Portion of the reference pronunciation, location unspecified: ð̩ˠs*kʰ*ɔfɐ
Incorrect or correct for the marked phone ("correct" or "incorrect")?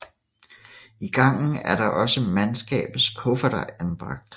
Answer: correct